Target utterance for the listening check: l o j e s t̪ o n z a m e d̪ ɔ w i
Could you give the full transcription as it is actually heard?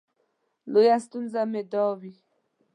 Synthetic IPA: l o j a s t̪ u n z a m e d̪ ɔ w i